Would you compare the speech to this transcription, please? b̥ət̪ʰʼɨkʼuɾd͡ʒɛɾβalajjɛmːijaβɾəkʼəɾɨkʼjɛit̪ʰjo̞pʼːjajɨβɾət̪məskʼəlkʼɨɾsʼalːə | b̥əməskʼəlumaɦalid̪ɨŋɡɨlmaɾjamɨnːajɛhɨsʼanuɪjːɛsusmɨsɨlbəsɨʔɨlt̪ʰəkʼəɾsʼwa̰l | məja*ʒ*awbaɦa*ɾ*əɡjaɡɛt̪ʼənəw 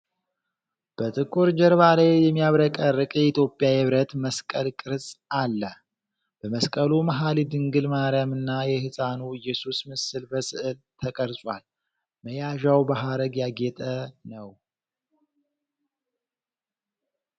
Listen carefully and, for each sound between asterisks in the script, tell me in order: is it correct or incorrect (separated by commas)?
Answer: correct, correct